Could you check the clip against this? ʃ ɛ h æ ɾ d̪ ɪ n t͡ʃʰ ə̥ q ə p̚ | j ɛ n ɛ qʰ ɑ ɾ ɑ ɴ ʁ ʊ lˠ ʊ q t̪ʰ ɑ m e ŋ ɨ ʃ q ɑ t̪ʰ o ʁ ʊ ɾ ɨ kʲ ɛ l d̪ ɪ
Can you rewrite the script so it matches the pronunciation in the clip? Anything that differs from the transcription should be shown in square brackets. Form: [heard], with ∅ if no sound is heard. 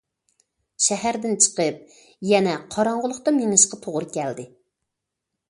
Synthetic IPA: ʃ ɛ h æ ɾ d̪ ɪ n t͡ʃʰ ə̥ q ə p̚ | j ɛ n ɛ qʰ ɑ ɾ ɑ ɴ ʁ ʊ lˠ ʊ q [t̪] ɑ m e ŋ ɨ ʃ q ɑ t̪ʰ o ʁ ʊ ɾ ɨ kʲ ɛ l d̪ ɪ